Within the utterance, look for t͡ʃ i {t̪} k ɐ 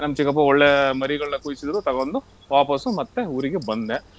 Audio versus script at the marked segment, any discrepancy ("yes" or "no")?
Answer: yes